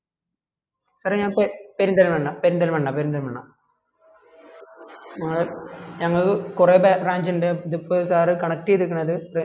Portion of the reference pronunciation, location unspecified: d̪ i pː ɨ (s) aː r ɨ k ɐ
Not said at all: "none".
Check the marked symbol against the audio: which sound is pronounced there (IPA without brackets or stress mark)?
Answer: s